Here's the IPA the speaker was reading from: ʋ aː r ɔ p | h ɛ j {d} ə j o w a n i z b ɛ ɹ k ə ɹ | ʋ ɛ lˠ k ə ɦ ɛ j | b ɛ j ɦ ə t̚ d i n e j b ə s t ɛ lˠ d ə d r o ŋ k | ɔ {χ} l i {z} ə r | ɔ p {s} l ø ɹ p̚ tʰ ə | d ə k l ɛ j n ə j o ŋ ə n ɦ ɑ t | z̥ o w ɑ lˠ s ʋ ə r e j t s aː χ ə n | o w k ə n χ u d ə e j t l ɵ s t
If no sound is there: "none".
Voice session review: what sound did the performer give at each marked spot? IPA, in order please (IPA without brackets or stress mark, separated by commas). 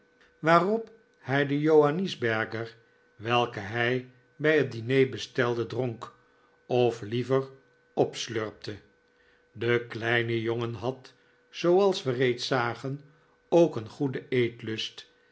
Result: d, f, v, s